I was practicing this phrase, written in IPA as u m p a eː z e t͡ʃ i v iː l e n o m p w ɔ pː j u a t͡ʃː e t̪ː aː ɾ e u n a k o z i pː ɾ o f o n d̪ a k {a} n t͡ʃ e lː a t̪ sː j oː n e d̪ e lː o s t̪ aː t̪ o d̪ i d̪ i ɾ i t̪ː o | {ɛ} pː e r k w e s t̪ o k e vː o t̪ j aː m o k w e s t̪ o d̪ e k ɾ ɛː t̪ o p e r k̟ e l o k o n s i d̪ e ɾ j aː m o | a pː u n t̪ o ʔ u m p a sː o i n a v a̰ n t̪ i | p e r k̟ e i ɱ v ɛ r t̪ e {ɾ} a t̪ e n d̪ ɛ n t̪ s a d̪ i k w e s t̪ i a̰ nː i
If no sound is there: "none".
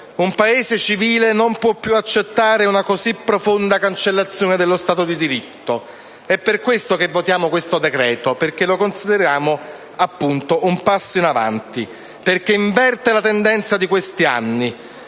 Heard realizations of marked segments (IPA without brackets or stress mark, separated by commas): a, ɛ, l